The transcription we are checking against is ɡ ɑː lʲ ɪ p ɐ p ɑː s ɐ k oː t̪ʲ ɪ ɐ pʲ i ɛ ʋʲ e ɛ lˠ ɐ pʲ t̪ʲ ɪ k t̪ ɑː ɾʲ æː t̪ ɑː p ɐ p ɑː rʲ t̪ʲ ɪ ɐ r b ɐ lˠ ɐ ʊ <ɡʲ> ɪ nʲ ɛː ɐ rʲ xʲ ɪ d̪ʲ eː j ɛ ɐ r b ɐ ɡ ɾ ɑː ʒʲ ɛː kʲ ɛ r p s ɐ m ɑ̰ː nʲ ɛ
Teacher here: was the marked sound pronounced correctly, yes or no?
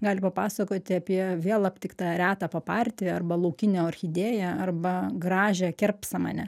no